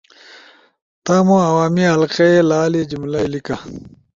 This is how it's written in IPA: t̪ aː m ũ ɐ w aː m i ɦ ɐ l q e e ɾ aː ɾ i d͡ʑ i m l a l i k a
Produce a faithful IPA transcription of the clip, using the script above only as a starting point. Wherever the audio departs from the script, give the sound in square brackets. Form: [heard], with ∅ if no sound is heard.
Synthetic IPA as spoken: t̪ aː m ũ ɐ w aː m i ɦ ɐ l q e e [l] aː [l] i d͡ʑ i m l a l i k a

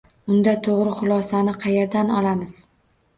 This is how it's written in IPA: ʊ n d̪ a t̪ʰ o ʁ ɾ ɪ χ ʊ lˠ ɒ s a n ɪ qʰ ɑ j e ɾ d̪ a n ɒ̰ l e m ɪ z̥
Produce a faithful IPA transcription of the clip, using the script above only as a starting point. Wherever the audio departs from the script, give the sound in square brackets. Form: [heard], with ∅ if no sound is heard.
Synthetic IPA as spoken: ʊ n d̪ a t̪ʰ o ʁ ɾ ɪ χ ʊ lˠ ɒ s a n ɪ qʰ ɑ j e ɾ d̪ a n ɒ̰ l [a] m ɪ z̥

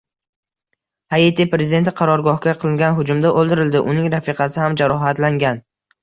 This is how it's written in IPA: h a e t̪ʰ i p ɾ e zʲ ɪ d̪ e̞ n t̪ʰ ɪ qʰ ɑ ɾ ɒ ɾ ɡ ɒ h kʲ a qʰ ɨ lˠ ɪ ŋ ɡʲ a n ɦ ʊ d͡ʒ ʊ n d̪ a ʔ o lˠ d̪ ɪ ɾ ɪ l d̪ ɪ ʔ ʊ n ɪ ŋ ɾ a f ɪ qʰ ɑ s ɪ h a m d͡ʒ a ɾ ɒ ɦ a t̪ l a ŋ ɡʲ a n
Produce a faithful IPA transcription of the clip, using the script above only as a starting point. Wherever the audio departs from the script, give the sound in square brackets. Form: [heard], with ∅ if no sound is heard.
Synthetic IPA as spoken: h a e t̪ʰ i p ɾ e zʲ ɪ d̪ e̞ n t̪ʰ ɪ qʰ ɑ ɾ ɒ ɾ ɡ ɒ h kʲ a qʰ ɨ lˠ ɪ ŋ ɡʲ a n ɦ ʊ d͡ʒ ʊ [m] d̪ a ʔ o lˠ d̪ ɪ ɾ ɪ l d̪ ɪ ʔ ʊ n ɪ ŋ ɾ a f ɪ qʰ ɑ s ɪ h a m d͡ʒ a ɾ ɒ ɦ a t̪ l a ŋ ɡʲ a n

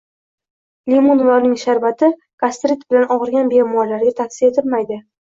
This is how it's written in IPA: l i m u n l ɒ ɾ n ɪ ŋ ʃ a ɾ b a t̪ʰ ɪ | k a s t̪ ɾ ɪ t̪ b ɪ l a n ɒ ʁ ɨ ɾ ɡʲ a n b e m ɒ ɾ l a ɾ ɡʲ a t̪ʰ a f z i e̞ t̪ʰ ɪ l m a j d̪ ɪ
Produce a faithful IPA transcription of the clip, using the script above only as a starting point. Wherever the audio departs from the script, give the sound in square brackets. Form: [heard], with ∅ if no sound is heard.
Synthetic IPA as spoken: l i m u n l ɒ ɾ n ɪ ŋ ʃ a ɾ b a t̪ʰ ɪ | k a s t̪ ɾ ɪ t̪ b ɪ l a n ɒ ʁ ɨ ɾ ɡʲ a n b e m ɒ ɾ l a ɾ ɡʲ a t̪ʰ a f [s] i e̞ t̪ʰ ɪ l m a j d̪ ɪ

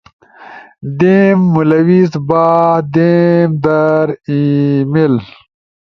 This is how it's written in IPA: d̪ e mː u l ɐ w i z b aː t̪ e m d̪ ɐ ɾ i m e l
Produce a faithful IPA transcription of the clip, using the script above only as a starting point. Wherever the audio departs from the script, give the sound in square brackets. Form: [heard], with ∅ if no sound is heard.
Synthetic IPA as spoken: d̪ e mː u l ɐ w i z b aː [d̪] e m d̪ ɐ ɾ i m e l

